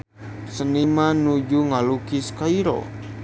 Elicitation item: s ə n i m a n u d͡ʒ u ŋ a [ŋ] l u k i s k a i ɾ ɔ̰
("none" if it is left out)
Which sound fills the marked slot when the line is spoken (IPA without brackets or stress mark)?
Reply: none